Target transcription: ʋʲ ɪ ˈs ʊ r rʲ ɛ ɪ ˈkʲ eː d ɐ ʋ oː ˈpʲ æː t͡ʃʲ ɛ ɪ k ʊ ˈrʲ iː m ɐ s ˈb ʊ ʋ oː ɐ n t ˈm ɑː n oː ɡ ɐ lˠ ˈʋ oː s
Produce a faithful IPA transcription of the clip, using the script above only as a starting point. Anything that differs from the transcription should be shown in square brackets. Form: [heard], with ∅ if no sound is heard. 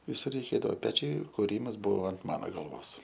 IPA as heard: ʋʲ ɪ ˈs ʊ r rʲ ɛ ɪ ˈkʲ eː d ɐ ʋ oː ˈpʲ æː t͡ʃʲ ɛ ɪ k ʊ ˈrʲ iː m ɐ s ˈb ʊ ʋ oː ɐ n t ˈm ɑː n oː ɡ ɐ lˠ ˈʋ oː s